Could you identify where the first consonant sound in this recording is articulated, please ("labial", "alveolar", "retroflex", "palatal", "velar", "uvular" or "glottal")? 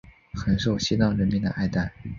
velar